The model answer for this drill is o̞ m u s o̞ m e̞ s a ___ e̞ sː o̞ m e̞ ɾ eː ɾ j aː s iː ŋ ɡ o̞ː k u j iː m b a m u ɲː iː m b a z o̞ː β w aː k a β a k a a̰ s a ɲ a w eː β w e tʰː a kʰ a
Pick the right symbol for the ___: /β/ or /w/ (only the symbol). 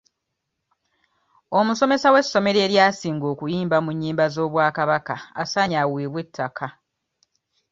w